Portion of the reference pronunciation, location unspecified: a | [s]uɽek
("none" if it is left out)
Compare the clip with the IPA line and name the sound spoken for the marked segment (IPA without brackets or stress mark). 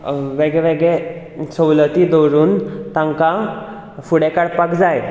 f